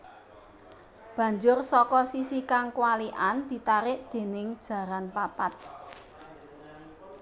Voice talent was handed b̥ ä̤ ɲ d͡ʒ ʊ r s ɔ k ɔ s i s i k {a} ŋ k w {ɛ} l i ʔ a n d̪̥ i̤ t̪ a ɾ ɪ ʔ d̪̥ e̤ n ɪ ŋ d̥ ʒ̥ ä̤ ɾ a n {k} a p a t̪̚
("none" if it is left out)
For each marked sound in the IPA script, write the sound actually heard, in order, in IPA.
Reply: a, a, p

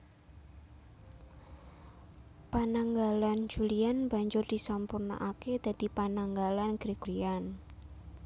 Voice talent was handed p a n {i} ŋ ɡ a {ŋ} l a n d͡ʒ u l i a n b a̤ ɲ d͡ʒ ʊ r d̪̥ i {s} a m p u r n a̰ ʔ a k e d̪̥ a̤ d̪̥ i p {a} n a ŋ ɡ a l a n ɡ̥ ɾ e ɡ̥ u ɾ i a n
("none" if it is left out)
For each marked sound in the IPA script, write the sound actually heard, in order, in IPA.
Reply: a, none, s, a

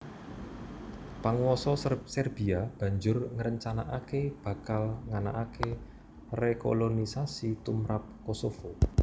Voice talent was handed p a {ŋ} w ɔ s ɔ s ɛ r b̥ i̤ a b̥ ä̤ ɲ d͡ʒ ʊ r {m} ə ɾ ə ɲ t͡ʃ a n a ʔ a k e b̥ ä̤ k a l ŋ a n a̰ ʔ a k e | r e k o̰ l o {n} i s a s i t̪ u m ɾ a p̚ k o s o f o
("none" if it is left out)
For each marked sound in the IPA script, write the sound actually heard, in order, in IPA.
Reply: ŋ, ŋ, n

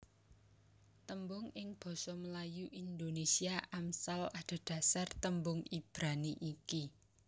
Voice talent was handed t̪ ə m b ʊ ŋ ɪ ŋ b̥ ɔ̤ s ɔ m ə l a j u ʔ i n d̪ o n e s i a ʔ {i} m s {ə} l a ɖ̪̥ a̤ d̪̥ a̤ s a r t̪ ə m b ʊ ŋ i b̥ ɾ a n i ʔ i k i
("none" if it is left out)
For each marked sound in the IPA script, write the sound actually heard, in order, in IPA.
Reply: a, a

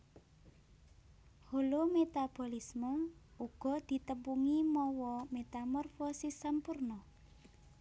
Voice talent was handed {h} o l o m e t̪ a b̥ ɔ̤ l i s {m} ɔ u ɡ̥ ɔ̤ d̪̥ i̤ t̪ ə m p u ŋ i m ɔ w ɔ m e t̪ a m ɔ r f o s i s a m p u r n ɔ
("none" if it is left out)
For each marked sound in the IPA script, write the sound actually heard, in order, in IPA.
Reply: h, m

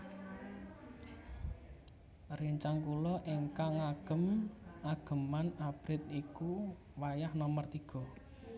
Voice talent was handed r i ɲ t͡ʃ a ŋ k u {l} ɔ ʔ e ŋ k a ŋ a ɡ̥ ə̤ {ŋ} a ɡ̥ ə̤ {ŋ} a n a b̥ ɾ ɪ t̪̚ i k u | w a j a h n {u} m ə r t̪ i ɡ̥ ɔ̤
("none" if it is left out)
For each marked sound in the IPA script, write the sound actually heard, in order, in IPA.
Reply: l, m, m, ɔ

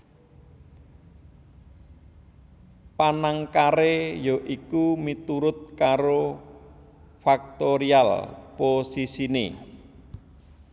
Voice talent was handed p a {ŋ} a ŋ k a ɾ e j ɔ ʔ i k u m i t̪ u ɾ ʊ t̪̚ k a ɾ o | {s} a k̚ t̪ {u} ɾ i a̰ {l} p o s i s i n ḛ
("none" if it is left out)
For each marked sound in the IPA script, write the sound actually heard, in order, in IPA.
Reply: n, f, o, l

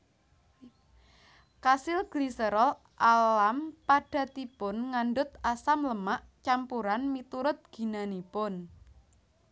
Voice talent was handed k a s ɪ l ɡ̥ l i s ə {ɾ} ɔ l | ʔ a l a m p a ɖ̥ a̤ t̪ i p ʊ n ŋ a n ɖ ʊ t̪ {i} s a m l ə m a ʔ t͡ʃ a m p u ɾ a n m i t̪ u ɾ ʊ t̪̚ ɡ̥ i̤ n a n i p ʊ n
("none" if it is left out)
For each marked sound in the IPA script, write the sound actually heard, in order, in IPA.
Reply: ɾ, a

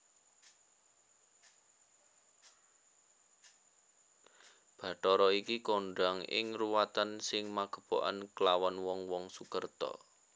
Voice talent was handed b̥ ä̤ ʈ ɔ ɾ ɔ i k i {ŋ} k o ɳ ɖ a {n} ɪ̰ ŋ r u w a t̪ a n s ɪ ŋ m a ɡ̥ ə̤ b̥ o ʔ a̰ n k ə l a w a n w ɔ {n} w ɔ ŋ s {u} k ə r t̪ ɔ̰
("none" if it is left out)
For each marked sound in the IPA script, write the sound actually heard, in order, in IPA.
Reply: none, ŋ, ŋ, u

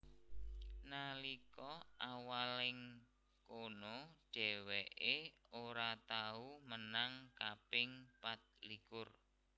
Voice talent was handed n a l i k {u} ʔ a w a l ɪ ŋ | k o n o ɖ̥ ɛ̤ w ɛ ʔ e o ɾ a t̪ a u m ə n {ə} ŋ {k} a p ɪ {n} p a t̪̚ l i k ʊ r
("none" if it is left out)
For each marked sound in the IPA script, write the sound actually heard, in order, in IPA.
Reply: ɔ, a, k, ŋ

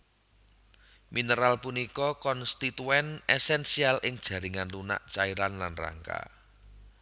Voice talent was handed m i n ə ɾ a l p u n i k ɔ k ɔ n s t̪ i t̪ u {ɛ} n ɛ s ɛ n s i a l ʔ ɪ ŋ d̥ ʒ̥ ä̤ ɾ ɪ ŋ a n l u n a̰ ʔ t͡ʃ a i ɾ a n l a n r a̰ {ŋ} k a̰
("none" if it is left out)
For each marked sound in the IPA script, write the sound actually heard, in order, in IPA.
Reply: ɛ, ŋ

